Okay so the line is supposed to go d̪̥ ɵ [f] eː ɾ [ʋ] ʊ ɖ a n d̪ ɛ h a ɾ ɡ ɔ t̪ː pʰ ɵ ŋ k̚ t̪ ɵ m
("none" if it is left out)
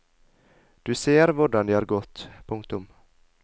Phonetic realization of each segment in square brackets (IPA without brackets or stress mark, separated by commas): s, v